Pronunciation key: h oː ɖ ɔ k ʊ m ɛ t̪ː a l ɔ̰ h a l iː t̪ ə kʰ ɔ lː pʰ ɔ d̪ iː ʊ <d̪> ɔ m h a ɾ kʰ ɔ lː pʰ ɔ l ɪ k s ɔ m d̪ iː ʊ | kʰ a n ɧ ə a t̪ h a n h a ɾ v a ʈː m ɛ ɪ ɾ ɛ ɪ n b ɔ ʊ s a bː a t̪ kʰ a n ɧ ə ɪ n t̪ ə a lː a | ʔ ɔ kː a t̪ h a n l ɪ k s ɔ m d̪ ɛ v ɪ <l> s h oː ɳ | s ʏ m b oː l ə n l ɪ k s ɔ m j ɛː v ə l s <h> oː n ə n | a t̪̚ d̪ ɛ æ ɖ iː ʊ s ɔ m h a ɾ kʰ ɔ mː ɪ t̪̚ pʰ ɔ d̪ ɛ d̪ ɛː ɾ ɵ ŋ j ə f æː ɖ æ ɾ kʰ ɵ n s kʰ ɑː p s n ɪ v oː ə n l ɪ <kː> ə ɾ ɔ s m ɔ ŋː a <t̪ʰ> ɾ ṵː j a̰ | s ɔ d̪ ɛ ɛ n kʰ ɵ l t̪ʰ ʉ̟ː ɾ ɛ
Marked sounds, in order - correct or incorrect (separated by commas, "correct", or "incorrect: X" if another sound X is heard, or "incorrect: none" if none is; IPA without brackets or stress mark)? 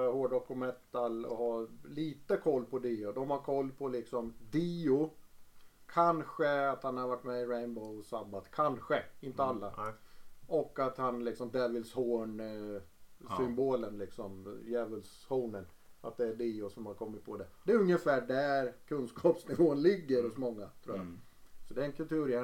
correct, correct, correct, incorrect: ɡː, correct